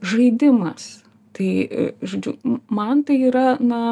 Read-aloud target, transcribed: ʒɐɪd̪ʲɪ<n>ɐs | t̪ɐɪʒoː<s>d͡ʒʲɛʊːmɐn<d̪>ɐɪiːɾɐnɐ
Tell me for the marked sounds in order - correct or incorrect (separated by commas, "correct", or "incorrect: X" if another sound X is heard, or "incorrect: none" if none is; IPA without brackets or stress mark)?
incorrect: m, incorrect: none, incorrect: t̪